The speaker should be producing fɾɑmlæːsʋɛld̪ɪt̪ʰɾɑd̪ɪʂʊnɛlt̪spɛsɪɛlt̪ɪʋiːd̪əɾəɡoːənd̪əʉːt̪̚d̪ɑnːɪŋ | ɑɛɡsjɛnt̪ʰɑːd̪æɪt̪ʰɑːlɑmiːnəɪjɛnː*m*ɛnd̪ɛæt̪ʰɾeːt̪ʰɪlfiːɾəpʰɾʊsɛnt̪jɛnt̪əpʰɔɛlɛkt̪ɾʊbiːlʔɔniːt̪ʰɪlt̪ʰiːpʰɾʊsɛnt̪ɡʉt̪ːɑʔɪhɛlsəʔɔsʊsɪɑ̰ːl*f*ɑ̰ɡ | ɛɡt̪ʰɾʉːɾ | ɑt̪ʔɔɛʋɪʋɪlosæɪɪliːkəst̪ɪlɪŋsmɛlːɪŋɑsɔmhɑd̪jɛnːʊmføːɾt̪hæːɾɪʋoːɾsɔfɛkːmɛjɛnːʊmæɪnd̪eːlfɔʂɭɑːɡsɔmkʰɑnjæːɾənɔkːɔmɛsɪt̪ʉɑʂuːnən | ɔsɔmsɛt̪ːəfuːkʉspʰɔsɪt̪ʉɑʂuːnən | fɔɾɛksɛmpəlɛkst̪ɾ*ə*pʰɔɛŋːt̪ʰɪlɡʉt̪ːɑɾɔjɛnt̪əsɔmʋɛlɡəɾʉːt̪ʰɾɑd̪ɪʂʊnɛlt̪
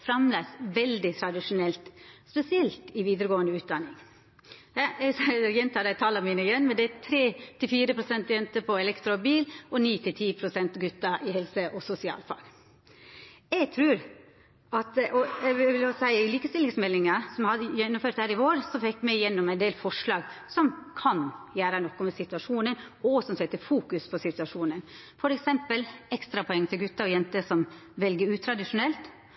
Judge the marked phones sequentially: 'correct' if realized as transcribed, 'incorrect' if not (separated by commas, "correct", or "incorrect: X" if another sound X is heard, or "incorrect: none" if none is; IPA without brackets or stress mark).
correct, correct, incorrect: ɑ